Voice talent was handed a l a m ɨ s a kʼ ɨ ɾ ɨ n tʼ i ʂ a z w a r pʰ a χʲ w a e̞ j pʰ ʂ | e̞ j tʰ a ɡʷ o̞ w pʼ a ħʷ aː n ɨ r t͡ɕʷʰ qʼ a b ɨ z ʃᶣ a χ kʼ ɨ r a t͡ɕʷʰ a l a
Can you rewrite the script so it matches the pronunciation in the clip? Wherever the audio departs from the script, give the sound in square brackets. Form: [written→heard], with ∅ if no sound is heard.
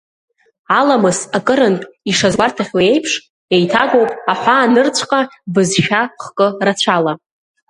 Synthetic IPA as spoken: a l a m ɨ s a kʼ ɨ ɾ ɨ n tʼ i ʂ a z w a r [pʰ→tʰ] a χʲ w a e̞ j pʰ ʂ | e̞ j tʰ a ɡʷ o̞ w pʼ a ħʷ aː n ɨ r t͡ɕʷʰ qʼ a b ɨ z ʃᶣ a χ kʼ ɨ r a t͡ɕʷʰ a l a

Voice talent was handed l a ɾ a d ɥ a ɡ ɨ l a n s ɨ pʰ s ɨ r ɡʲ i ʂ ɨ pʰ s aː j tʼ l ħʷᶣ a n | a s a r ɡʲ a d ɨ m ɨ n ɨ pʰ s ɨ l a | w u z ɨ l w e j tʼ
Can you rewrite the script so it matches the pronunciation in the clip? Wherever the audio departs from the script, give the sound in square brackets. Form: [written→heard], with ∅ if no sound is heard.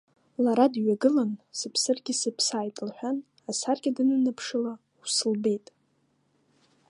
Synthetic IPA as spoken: l a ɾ a d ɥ a ɡ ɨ l a n s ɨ pʰ s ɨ r ɡʲ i [ʂ→s] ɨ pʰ s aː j tʼ l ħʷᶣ a n | a s a r ɡʲ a d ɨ [m→n] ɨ n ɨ pʰ [s→ʂ] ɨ l a | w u [z→s] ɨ l [w→b] e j tʼ

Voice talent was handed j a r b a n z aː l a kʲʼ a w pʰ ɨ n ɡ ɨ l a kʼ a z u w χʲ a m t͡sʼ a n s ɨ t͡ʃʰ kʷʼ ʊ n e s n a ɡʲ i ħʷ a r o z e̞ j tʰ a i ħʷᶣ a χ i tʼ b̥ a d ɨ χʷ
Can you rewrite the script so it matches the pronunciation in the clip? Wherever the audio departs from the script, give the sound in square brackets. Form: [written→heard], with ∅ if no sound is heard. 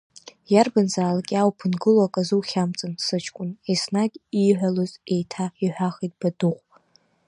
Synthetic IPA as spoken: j a r b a n z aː l a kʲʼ a w pʰ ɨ n ɡ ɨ l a kʼ a z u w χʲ a m t͡sʼ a n s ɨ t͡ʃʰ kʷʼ ʊ n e s n a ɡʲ i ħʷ a [r→l] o z e̞ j tʰ a i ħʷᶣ a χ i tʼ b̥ a d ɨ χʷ

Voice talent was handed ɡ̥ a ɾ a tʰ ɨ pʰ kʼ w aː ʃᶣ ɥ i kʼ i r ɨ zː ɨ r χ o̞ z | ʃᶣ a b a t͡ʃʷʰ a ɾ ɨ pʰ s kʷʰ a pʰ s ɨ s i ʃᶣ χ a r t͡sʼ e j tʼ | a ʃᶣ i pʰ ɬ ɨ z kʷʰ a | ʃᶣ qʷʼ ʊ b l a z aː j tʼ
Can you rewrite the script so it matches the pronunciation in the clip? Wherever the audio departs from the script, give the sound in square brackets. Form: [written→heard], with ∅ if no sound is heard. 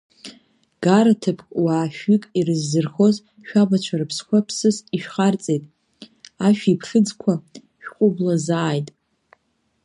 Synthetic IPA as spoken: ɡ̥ a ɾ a tʰ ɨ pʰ kʼ w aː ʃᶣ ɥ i kʼ i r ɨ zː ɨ r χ o̞ z | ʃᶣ a b a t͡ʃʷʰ a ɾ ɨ pʰ s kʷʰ a pʰ s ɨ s i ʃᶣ χ a r t͡sʼ e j tʼ | a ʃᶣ i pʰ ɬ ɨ [z→d͡z] kʷʰ a | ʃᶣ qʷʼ ʊ b l a z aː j tʼ

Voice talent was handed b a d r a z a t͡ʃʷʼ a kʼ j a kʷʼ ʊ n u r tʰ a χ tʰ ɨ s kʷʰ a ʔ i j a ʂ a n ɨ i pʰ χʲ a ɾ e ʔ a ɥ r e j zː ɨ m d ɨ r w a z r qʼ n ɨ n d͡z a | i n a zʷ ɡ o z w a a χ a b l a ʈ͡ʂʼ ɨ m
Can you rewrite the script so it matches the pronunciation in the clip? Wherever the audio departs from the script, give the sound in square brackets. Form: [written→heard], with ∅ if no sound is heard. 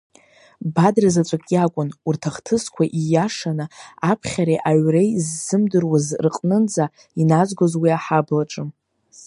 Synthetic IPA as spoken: b a d r a z a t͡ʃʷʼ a kʼ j a kʷʼ ʊ n u r tʰ a χ tʰ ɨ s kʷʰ a ʔ i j a ʂ a n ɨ [i→a] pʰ χʲ a ɾ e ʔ a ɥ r e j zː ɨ m d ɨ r w a z r qʼ n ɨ n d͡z a | i n a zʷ ɡ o z w [a→i] a [χ→ħ] a b l a ʈ͡ʂʼ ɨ m

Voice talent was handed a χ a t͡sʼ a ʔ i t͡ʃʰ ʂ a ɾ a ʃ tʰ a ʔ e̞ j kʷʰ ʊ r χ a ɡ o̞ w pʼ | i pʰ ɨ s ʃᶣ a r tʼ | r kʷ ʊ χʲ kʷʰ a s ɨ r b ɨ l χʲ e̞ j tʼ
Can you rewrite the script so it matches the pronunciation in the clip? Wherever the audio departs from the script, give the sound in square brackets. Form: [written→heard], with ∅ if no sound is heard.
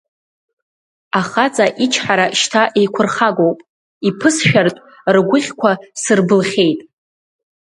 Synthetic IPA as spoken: a χ a t͡sʼ a ʔ i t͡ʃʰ [ʂ→ħ] a ɾ a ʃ tʰ a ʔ e̞ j kʷʰ ʊ r χ a ɡ o̞ w pʼ | i pʰ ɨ s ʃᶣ a r tʼ | r [kʷ→ɡʷ] ʊ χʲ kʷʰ a s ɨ r b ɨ l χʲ e̞ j tʼ

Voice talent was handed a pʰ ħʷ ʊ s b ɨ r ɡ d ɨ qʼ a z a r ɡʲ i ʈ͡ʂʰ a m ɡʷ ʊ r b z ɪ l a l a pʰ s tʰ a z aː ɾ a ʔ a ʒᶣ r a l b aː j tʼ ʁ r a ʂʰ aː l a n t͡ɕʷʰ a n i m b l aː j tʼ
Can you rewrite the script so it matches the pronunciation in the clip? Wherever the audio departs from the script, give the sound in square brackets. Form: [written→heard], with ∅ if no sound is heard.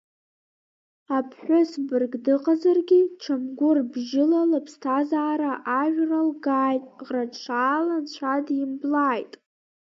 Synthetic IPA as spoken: a pʰ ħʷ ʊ s b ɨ r ɡ d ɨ qʼ a z a r ɡʲ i ʈ͡ʂʰ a m ɡʷ ʊ r b [z→ʒ] ɪ l a l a pʰ s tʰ a z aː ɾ a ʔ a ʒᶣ r a l [b→ɡ] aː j tʼ ʁ r a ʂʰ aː l a n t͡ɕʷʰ a [n→d] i m b l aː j tʼ

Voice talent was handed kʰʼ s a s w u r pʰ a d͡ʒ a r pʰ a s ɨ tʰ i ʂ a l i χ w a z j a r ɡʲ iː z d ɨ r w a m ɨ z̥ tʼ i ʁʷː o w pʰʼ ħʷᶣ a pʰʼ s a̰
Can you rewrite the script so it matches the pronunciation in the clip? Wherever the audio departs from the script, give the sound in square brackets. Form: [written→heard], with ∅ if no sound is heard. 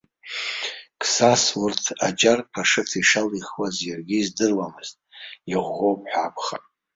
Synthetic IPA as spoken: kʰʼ s a s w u r [pʰ→tʰ] a d͡ʒ a r pʰ a [s→ʂ] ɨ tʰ i ʂ a l i χ w a z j a r ɡʲ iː z d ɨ r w a m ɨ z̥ tʼ i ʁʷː o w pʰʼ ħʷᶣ a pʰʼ [s→χ] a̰

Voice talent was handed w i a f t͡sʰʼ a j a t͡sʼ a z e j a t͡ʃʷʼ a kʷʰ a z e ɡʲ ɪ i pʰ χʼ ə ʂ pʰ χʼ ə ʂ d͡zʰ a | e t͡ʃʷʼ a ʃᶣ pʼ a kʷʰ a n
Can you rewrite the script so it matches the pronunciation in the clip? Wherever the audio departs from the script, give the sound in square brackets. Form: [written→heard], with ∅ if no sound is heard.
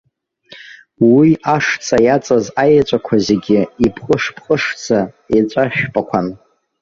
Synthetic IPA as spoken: w i a [f→ʂ] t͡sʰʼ a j a t͡sʼ a z [e→a] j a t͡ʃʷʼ a kʷʰ a z e ɡʲ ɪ i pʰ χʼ ə ʂ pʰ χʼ ə ʂ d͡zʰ a | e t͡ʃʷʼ a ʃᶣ pʼ a kʷʰ a n

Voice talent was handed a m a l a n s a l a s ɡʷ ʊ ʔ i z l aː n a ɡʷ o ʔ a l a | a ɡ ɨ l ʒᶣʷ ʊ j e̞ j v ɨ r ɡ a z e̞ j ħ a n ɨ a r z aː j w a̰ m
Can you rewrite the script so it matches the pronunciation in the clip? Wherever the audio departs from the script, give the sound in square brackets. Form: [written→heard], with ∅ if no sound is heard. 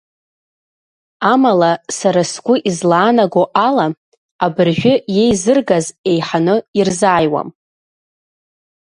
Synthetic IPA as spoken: a m a l a [n→∅] s a [l→ɾ] a s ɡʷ ʊ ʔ i z l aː n a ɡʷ o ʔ a l a | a [ɡ→b] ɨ [l→r] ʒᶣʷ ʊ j e̞ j [v→z] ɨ r ɡ a z e̞ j ħ a n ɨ [a→i] r z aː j w a̰ m

